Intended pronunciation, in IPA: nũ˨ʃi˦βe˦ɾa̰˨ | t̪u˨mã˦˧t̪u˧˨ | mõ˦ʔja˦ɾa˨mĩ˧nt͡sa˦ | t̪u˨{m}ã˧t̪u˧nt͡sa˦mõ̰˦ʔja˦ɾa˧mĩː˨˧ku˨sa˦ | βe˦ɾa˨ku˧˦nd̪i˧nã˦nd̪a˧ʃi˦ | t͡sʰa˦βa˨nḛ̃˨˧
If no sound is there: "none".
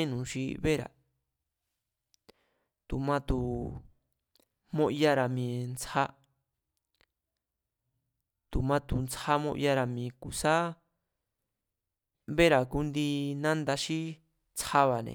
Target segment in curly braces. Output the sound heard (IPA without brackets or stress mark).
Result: m